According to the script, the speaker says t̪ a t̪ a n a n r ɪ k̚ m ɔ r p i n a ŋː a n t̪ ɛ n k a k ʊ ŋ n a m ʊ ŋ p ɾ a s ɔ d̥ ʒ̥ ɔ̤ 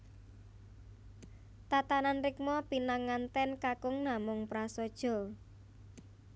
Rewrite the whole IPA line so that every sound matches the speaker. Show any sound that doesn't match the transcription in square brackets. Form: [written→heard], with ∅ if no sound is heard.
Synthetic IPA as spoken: t̪ a t̪ a n a n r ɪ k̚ m ɔ [r→∅] p i n a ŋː a n t̪ ɛ n k a k ʊ ŋ n a m ʊ ŋ p ɾ a s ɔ d̥ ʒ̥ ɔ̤